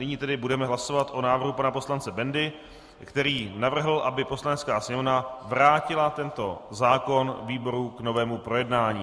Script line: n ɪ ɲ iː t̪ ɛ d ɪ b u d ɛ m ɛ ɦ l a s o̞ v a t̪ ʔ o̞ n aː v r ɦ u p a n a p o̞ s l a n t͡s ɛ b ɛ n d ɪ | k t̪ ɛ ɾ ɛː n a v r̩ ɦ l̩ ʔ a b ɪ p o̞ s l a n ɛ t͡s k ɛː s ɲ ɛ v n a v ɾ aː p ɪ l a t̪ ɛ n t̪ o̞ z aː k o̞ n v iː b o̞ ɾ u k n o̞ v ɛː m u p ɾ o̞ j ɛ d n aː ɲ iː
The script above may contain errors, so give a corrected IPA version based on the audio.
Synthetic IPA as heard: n ɪ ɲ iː t̪ ɛ d ɪ b u d ɛ m ɛ ɦ l a s o̞ v a t̪ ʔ o̞ n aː v r ɦ u p a n a p o̞ s l a n t͡s ɛ b ɛ n d ɪ | k t̪ ɛ ɾ iː n a v r̩ ɦ l̩ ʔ a b ɪ p o̞ s l a n ɛ t͡s k aː s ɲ ɛ v n a v ɾ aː c ɪ l a t̪ ɛ n t̪ o̞ z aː k o̞ n v iː b o̞ ɾ u k n o̞ v ɛː m u p ɾ o̞ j ɛ d n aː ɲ iː